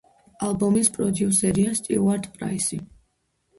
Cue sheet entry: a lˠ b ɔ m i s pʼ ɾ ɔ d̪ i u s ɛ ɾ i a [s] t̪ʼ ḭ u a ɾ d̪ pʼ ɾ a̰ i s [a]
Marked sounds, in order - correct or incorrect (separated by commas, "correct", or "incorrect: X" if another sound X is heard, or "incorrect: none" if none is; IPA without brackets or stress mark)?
correct, incorrect: i